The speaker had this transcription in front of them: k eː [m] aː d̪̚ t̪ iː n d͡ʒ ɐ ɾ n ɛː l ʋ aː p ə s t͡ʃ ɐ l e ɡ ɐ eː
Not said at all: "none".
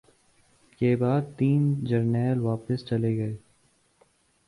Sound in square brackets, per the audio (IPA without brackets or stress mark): b